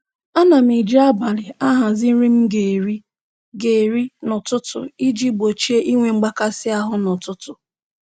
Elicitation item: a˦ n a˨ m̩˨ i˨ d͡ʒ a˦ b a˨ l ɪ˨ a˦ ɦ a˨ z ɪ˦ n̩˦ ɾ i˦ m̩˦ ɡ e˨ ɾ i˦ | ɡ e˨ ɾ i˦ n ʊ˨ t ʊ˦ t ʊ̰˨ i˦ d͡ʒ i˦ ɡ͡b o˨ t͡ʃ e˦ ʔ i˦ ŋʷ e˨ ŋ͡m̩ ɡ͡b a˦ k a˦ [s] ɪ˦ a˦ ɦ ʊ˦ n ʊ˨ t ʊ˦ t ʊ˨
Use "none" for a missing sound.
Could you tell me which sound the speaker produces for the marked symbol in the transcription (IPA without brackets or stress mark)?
s